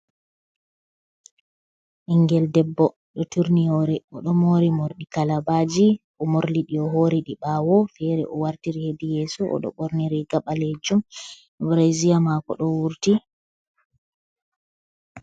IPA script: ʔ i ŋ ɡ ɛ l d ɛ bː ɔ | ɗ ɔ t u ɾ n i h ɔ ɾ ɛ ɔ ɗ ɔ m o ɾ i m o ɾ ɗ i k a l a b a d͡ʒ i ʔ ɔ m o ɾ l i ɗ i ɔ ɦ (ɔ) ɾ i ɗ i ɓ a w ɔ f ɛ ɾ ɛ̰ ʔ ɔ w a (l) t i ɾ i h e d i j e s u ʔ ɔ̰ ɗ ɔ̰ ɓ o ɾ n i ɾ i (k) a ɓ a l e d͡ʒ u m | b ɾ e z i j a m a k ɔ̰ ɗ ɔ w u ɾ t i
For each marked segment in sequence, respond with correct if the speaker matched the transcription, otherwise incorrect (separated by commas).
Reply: incorrect, incorrect, incorrect